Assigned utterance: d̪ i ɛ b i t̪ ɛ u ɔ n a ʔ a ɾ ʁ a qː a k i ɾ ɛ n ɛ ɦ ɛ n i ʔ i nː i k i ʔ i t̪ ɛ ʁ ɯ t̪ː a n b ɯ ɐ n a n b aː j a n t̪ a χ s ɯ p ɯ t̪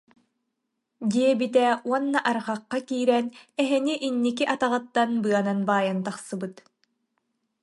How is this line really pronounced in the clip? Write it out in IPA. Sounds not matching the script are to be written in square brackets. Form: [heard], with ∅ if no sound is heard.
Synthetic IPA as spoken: d̪ i ɛ b i t̪ ɛ u ɔ [nː] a ʔ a ɾ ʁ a qː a k [iː] ɾ ɛ n ɛ ɦ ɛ n i ʔ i nː i k i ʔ [a] t̪ [a] ʁ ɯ t̪ː a n b ɯ ɐ n a n b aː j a n t̪ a χ s ɯ [b] ɯ t̪